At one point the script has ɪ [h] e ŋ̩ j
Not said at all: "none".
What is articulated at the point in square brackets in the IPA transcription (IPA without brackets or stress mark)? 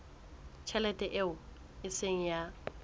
s